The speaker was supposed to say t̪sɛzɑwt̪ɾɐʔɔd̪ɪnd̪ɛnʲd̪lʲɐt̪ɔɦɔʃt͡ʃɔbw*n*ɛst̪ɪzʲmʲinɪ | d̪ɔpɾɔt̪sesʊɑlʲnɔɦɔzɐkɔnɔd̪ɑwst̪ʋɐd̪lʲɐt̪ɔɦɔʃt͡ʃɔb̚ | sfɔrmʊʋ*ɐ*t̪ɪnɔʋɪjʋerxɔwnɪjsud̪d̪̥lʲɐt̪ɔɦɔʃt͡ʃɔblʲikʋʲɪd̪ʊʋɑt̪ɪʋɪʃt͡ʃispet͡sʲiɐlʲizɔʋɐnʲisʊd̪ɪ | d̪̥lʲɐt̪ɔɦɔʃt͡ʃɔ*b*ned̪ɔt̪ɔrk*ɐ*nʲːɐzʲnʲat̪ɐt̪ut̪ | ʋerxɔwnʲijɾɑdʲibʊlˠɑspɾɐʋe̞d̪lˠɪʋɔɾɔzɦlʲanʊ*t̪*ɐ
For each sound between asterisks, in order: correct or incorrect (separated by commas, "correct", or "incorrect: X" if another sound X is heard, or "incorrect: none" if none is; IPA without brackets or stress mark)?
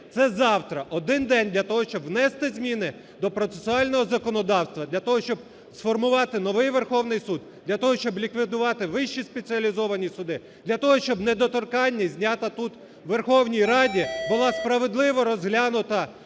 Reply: correct, incorrect: ɑ, correct, incorrect: ɑ, correct